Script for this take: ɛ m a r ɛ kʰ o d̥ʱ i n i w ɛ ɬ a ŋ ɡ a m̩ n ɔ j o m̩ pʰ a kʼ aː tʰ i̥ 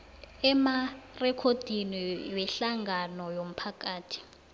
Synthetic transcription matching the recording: ɛ m a r ɛ kʰ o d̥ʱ i n i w ɛ ɬ a ŋ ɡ a n ɔ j o m̩ pʰ a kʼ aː tʰ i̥